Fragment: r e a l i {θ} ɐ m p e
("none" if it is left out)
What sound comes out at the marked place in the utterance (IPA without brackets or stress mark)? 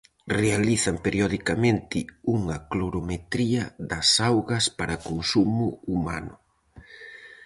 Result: θ